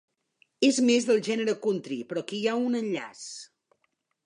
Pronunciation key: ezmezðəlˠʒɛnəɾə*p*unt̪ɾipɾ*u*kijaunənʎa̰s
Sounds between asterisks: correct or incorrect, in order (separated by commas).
incorrect, incorrect